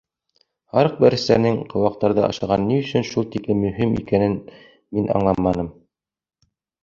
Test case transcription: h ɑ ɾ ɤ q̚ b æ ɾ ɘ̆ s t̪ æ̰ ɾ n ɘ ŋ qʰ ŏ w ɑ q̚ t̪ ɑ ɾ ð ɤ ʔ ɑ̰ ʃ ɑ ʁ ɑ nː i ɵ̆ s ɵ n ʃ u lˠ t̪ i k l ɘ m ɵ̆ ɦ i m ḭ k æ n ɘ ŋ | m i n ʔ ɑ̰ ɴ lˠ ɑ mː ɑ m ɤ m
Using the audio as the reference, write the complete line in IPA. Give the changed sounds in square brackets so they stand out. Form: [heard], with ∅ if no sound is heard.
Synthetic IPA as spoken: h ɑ ɾ ɤ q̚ b æ ɾ ɘ̆ s t̪ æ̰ ɾ n ɘ ŋ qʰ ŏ w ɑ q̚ t̪ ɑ ɾ ð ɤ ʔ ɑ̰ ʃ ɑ ʁ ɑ nː i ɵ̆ s ɵ n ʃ u lˠ t̪ i k l ɘ m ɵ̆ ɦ i m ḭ k æ n ɘ [n] | m i n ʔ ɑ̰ ɴ lˠ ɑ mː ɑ [n] ɤ m